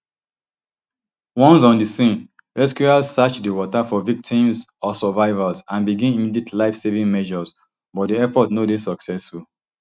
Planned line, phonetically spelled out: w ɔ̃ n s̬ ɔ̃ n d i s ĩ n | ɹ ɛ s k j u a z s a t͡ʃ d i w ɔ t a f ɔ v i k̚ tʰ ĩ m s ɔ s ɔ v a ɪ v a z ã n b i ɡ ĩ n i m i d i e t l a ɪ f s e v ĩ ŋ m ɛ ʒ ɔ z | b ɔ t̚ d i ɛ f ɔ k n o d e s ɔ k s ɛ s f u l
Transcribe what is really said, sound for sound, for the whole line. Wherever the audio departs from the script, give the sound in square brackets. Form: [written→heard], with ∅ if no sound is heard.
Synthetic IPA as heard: w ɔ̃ n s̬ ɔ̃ n d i s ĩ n | ɹ ɛ s k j u a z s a t͡ʃ d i w ɔ t a f ɔ v i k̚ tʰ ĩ m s ɔ s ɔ v a ɪ v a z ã n b i ɡ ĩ n i m i d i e t l a ɪ f s e v ĩ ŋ m ɛ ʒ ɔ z | b ɔ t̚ d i ɛ f ɔ [k→t] n o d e s ɔ k s ɛ s f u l

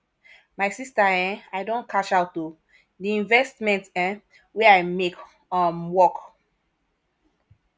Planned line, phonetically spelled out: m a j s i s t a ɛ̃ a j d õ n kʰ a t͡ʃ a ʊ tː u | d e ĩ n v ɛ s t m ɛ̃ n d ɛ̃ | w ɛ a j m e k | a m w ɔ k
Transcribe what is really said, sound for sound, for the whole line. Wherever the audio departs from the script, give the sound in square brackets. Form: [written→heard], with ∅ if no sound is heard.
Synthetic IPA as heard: m a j s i s t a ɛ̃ a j d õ n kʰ a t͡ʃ a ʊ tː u | d [e→i] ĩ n v ɛ s t m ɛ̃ n [d→t] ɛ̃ | w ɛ a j m e k | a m w ɔ k

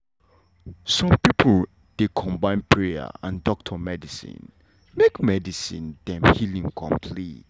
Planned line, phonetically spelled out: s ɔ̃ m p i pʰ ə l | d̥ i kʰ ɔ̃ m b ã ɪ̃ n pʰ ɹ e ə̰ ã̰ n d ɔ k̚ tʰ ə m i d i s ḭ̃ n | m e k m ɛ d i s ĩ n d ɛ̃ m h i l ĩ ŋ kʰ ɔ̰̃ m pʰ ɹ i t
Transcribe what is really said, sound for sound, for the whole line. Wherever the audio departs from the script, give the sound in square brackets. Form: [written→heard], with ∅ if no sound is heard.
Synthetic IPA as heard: s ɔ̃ m p i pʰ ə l | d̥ [i→e] kʰ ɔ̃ m b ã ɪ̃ n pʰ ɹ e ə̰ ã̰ n d ɔ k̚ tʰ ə m [i→ɛ] d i s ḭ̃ n | m e k m ɛ d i s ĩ n d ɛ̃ m h i l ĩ ŋ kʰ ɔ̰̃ m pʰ [ɹ→l] i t

